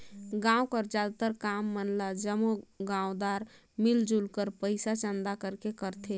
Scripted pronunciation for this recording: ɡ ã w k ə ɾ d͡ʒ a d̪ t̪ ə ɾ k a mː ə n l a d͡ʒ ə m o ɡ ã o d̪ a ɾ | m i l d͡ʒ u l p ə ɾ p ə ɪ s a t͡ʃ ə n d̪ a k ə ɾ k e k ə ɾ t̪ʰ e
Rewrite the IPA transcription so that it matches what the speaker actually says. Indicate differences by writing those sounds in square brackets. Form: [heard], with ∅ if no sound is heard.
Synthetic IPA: ɡ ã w k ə ɾ d͡ʒ a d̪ t̪ ə ɾ k a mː ə n l a d͡ʒ ə m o ɡ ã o d̪ a ɾ | m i l d͡ʒ u l [k] ə ɾ p ə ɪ s a t͡ʃ ə n d̪ a k ə ɾ k e k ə ɾ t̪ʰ e